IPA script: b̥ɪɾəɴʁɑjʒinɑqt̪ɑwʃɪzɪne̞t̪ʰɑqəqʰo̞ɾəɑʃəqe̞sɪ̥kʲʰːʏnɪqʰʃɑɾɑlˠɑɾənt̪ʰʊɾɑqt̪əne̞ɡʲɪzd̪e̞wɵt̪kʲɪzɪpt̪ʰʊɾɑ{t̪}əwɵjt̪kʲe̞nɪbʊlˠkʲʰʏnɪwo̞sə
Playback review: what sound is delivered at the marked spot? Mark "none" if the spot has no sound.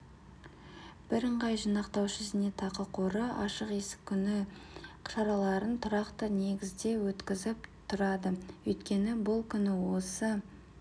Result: d̪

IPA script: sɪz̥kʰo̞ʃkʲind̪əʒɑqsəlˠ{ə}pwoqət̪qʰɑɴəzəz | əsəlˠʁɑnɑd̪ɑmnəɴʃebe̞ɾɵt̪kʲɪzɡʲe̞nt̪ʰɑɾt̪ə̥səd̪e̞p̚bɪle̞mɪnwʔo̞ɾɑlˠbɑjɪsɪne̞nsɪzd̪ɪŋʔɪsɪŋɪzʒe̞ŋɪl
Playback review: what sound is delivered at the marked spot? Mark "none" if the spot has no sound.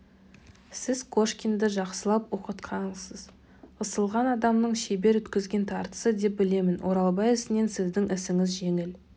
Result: ɑ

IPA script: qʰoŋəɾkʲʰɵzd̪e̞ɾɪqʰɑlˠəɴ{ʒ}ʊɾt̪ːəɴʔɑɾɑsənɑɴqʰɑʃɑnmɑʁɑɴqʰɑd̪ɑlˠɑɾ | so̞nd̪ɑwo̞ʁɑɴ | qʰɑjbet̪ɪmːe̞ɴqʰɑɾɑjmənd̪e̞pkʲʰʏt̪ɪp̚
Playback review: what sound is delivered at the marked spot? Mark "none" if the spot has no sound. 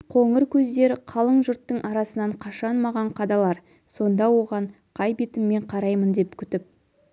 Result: ʒ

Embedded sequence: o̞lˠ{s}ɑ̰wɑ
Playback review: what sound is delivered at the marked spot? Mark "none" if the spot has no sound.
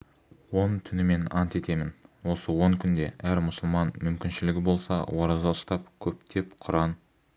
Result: s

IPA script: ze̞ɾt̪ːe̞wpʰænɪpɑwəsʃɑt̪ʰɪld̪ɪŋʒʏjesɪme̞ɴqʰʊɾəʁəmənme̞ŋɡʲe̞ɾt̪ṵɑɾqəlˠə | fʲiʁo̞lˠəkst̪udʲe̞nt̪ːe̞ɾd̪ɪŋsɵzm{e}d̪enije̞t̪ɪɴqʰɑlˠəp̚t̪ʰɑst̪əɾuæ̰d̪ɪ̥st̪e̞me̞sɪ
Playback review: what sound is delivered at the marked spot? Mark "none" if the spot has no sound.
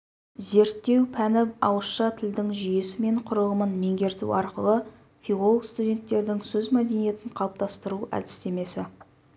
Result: æ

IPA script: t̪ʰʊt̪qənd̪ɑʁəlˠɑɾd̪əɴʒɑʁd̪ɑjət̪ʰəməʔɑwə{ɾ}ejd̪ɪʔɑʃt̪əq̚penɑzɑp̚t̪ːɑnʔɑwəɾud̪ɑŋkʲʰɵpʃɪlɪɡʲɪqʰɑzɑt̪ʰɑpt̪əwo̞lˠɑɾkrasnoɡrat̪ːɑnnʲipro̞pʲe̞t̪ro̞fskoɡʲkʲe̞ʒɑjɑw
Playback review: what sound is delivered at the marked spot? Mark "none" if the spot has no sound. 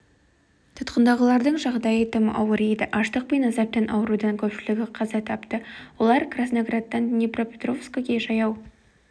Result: ɾ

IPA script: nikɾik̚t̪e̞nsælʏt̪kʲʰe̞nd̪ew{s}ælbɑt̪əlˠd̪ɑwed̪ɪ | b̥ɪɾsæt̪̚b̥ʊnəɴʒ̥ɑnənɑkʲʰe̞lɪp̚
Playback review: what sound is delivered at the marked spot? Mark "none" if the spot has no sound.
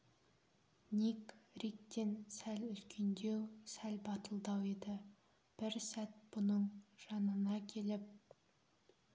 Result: s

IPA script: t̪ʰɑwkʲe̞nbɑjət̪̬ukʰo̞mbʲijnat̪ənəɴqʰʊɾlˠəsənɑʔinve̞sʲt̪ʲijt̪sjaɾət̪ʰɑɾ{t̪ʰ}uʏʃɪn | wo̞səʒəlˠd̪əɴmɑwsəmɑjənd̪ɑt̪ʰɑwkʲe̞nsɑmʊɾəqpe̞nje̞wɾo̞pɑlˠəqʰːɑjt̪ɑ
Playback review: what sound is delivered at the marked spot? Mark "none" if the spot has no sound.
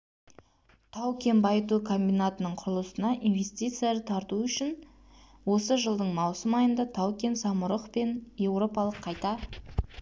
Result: t̪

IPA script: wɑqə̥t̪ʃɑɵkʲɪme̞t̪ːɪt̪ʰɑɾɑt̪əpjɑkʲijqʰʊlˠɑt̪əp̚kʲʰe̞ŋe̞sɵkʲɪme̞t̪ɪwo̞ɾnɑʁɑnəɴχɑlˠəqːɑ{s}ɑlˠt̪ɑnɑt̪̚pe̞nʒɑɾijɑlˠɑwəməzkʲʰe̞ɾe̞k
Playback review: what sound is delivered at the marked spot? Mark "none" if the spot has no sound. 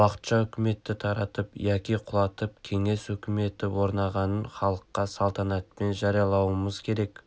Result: s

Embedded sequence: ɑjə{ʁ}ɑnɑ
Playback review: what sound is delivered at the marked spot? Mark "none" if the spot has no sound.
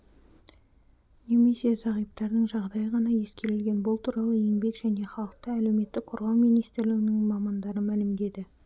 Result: ʁ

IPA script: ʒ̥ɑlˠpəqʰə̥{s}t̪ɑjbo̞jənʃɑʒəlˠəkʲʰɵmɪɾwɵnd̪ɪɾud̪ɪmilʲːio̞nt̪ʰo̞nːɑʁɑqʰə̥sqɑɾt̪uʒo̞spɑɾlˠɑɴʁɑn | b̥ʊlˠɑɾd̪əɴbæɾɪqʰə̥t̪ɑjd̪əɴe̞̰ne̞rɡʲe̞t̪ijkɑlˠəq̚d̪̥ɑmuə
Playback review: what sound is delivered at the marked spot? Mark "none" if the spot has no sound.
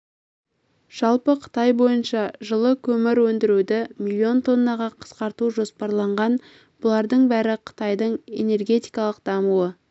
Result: none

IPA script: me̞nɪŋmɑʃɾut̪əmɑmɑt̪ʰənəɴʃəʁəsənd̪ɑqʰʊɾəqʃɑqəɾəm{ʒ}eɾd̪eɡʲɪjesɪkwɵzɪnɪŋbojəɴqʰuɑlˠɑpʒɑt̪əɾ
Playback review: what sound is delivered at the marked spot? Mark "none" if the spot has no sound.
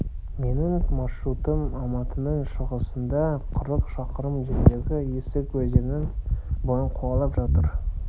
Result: ʒ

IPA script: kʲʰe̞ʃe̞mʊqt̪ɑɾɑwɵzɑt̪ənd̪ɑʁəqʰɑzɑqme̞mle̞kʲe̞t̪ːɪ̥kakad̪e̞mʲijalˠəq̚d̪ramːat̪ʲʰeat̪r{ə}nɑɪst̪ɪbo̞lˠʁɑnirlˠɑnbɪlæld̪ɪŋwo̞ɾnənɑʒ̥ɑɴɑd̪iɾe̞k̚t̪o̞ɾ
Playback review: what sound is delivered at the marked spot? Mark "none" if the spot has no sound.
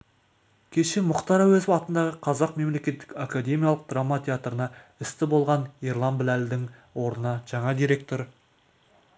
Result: ə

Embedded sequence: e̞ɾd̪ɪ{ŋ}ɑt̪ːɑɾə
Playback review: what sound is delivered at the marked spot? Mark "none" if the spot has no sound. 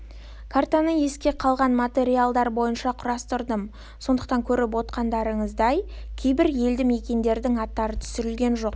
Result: ŋ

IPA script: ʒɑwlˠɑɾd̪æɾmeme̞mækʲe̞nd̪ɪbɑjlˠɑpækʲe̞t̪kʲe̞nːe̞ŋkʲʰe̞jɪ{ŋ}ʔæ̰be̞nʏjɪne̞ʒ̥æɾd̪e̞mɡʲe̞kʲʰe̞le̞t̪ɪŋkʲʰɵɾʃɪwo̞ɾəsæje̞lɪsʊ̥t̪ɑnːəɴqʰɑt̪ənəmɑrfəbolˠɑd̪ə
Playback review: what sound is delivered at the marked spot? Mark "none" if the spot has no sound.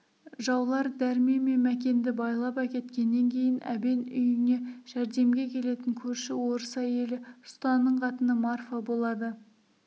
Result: n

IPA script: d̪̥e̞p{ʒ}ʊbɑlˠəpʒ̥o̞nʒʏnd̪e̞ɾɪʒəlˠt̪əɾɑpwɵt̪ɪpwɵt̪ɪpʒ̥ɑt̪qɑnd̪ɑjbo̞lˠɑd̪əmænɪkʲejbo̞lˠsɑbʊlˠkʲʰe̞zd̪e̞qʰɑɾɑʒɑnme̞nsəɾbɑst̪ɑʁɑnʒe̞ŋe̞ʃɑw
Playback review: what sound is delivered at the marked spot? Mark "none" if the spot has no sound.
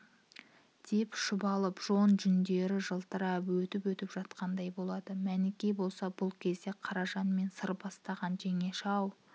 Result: ʃ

